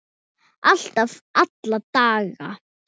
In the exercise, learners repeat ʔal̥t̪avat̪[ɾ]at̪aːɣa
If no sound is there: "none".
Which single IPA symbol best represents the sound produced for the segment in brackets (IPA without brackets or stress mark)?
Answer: l